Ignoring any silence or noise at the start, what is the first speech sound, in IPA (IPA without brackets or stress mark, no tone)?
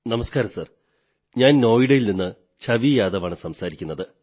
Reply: n